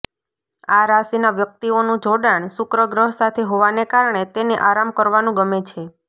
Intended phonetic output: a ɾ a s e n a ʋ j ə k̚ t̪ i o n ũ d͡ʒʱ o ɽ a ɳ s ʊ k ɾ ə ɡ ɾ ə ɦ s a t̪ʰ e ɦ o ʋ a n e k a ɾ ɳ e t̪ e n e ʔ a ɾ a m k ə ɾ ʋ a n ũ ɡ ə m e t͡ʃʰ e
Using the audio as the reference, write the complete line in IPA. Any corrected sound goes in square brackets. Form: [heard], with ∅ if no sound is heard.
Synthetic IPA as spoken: a ɾ a s [i] n a ʋ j ə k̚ t̪ i o n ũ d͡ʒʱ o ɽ a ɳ s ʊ k ɾ ə ɡ ɾ ə ɦ s a t̪ʰ e ɦ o ʋ a n e k a ɾ ɳ e t̪ e n e ʔ a ɾ a m k ə ɾ ʋ a n ũ ɡ ə m e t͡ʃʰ e